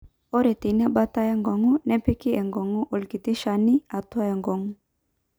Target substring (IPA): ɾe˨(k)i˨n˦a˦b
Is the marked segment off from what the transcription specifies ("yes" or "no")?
yes